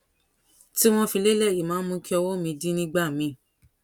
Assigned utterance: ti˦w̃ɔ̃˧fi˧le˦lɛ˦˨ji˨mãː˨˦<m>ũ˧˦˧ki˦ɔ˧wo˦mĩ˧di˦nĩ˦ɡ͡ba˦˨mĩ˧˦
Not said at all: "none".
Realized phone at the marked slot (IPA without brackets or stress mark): m